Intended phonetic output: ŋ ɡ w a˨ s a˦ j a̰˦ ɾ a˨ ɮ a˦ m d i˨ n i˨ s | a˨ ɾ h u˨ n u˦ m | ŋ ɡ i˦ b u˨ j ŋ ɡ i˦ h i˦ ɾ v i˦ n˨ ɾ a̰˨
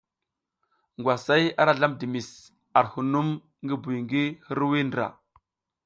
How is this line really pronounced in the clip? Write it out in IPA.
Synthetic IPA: ŋ ɡ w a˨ s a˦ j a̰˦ ɾ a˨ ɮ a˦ m d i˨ m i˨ s | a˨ ɾ h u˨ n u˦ m | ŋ ɡ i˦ b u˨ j ŋ ɡ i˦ h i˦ ɾ w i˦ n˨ ɾ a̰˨